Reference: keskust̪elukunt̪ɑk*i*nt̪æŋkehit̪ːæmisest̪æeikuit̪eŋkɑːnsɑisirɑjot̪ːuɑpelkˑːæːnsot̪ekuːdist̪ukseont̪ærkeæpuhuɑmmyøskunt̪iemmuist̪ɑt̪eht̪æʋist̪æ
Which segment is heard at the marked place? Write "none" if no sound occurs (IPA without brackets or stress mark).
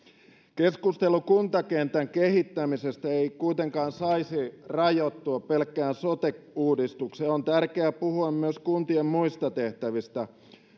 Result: e